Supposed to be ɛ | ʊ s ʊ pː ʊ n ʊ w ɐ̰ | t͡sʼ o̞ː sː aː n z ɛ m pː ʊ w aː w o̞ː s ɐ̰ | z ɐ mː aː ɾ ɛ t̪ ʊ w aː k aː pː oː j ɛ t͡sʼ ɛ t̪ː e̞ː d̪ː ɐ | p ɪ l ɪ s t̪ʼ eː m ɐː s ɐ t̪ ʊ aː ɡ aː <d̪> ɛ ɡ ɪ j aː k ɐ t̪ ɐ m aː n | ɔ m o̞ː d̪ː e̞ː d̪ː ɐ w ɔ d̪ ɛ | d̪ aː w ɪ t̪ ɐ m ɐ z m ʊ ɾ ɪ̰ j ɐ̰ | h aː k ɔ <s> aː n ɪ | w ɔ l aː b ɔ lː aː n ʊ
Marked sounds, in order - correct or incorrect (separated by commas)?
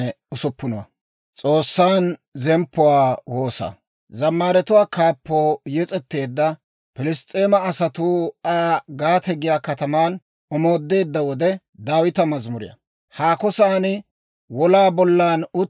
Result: incorrect, correct